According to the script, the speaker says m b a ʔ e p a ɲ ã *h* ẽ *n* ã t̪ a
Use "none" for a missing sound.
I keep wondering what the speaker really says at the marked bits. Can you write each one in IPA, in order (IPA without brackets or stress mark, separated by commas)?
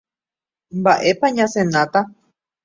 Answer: s, n